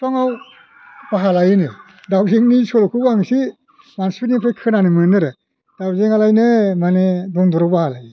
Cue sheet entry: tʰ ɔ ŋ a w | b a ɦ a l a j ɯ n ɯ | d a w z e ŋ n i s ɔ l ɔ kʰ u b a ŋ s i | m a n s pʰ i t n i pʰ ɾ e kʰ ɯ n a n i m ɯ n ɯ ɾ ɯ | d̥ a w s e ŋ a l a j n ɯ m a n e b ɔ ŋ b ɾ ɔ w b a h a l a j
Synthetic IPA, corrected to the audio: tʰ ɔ ŋ a w | b a ɦ a l a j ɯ n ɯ | d a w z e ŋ n i s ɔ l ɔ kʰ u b a ŋ s i | m a n s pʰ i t n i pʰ ɾ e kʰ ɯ n a n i m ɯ n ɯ ɾ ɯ | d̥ a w z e ŋ a l a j n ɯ m a n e d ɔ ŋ d ɾ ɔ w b a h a l a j

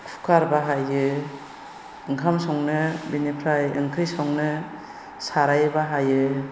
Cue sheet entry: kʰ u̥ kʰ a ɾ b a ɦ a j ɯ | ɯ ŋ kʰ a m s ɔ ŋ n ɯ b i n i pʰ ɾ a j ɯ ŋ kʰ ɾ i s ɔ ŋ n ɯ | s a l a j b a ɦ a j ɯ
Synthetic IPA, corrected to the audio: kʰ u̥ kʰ a ɾ b a ɦ a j ɯ | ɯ ŋ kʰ a m s ɔ ŋ n ɯ b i n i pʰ ɾ a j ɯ ŋ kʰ ɾ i s ɔ ŋ n ɯ | s a ɾ a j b a ɦ a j ɯ

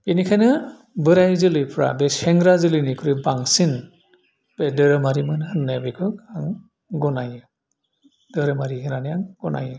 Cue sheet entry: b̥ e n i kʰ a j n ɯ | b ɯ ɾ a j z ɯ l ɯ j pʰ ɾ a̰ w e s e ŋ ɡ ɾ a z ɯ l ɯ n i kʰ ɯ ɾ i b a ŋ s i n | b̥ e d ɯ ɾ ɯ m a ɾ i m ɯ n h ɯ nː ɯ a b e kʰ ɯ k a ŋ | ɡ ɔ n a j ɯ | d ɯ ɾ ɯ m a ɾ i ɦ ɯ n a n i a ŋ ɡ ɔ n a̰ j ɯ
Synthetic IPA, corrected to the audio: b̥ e n i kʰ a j n ɯ | b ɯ ɾ a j z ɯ l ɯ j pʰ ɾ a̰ b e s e ŋ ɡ ɾ a z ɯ l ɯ n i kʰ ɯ ɾ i b a ŋ s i n | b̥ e d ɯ ɾ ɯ m a ɾ i m ɯ n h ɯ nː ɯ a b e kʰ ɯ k a ŋ | ɡ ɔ n a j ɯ | d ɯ ɾ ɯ m a ɾ i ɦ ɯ n a n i a ŋ ɡ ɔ n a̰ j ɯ

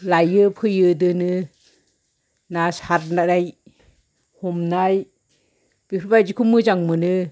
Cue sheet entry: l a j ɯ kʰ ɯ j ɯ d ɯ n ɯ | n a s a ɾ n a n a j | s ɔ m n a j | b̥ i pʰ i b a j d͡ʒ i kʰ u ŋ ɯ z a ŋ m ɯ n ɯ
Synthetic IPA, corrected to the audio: l a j ɯ pʰ ɯ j ɯ d ɯ n ɯ | n a s a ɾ n a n a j | h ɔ m n a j | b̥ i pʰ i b a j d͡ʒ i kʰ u m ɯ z a ŋ m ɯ n ɯ

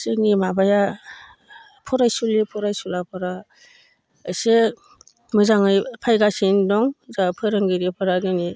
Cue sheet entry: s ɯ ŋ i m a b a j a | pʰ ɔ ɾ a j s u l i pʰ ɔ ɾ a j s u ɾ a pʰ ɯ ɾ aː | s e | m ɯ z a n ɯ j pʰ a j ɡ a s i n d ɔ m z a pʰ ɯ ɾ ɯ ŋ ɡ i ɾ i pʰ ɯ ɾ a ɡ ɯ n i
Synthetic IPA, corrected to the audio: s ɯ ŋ i m a b a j a | pʰ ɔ ɾ a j s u l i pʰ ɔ ɾ a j s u l a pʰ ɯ ɾ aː | s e | m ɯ z a ŋ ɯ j pʰ a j ɡ a s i n d ɔ ŋ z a pʰ ɯ ɾ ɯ ŋ ɡ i ɾ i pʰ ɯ ɾ a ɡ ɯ n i

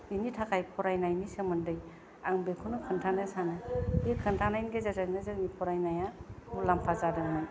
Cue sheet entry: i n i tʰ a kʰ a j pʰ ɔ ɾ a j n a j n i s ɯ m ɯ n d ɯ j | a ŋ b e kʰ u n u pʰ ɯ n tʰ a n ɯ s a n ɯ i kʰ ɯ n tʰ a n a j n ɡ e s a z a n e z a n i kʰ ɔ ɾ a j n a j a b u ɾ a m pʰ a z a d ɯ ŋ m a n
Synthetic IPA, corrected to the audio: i n i tʰ a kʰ a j pʰ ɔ ɾ a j n a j n i s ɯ m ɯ n d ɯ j | a ŋ b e kʰ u n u kʰ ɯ n tʰ a n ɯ s a n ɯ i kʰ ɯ n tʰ a n a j n ɡ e z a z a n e z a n i pʰ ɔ ɾ a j n a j a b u l a m pʰ a z a d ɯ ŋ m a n

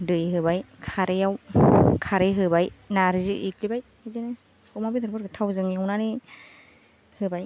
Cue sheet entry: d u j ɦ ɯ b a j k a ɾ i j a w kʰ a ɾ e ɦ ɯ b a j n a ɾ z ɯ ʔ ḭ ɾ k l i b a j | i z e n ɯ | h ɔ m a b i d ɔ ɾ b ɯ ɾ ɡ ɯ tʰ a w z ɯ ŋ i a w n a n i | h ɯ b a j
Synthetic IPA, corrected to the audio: d ɯ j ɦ ɯ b a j kʰ a ɾ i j a w kʰ a ɾ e ɦ ɯ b a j n a ɾ z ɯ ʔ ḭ k l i b a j | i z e n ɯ | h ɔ m a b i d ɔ ɾ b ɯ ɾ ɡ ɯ tʰ a w z ɯ ŋ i a w n a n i | h ɯ b a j

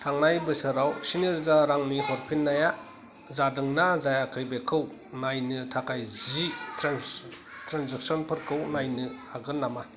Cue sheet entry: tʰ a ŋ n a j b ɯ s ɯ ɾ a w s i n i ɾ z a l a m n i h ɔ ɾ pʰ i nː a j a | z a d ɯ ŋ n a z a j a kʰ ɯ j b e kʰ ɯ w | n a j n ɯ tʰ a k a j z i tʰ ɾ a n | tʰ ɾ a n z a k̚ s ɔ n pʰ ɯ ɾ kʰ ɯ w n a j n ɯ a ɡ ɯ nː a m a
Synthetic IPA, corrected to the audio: tʰ a ŋ n a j b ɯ s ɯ ɾ a w s i n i ɾ z a ɾ a ŋ n i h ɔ ɾ pʰ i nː a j a | z a d ɯ ŋ n a z a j a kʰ ɯ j b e kʰ ɯ w | n a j n ɯ tʰ a k a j z i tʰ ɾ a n | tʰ ɾ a n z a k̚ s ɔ n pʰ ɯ ɾ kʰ ɯ w n a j n ɯ a ɡ ɯ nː a m a

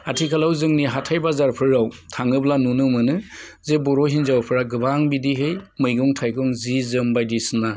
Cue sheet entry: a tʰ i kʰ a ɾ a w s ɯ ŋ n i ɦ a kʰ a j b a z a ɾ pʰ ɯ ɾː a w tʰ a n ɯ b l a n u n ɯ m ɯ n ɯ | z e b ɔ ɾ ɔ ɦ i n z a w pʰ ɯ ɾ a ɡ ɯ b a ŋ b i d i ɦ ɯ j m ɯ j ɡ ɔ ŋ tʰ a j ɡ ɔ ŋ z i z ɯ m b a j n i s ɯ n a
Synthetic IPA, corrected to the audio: a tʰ i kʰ a l a w z ɯ ŋ n i ɦ a tʰ a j b a z a ɾ pʰ ɯ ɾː a w tʰ a ŋ ɯ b l a n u n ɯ m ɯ n ɯ | z e b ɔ ɾ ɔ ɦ i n z a w pʰ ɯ ɾ a ɡ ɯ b a ŋ b i d i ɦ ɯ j m ɯ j ɡ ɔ ŋ tʰ a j ɡ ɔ ŋ z i z ɯ m b a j d i s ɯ n a

